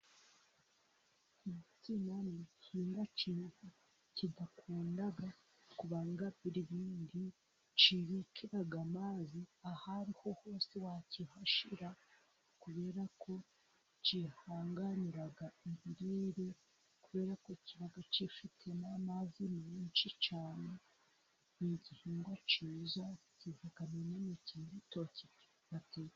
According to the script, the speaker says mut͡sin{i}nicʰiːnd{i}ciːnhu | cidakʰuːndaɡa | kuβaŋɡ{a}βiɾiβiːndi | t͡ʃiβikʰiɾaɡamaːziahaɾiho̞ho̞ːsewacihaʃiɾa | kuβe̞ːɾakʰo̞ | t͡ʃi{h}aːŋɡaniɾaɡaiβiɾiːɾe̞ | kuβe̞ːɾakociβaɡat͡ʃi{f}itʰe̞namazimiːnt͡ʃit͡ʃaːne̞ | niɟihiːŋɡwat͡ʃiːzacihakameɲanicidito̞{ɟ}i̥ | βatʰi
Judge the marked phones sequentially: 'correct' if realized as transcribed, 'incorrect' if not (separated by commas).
incorrect, incorrect, correct, correct, correct, incorrect